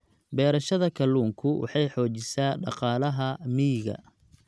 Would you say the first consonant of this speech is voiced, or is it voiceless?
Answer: voiced